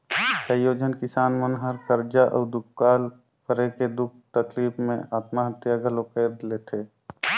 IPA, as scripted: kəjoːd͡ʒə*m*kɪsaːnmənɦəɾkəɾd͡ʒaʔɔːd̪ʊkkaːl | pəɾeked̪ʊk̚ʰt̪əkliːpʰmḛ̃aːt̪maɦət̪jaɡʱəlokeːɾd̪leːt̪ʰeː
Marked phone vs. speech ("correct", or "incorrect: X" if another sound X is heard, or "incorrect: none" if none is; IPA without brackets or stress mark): incorrect: n